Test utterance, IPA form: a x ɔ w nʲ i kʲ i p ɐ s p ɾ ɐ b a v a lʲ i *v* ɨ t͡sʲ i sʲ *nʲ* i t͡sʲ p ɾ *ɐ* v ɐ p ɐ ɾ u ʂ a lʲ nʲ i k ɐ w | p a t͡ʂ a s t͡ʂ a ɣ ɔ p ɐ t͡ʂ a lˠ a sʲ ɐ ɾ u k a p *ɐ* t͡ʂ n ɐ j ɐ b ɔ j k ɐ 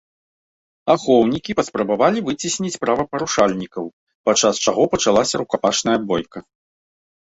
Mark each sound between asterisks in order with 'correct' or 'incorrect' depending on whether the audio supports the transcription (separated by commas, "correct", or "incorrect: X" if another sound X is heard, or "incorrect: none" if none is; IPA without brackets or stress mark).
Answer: correct, correct, incorrect: a, incorrect: a